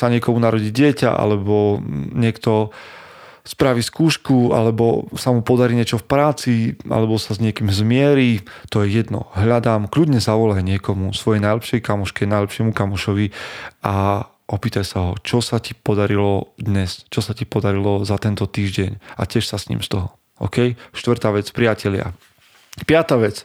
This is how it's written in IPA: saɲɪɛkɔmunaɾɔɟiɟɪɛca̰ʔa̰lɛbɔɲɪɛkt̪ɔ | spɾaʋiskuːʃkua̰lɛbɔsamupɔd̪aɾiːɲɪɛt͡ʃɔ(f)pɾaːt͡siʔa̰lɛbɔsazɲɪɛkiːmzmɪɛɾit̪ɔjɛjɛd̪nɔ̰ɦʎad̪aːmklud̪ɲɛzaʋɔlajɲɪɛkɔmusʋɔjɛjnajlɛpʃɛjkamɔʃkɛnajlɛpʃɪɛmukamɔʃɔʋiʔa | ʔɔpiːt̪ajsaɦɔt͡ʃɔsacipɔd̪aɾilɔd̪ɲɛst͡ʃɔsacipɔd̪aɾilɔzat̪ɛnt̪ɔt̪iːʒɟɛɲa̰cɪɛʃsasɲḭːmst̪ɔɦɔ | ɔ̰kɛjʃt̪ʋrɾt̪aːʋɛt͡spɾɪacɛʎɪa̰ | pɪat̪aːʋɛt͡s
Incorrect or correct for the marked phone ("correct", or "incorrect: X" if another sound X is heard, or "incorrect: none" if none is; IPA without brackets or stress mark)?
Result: correct